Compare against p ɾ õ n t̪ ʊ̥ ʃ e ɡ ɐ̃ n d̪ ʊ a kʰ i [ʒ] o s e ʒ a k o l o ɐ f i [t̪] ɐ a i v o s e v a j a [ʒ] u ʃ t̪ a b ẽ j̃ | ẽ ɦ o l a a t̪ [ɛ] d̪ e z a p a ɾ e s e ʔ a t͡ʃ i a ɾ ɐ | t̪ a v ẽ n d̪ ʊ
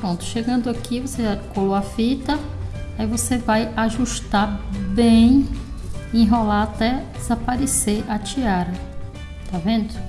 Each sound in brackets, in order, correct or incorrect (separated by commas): incorrect, correct, correct, correct